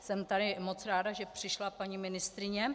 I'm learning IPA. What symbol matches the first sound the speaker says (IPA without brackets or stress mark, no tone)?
s